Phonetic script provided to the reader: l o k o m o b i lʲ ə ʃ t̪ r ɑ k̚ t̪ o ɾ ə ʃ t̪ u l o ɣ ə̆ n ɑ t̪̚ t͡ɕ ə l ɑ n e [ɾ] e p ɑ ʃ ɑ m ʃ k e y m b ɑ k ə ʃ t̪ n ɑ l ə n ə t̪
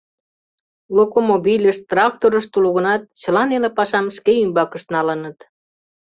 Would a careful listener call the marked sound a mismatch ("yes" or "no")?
yes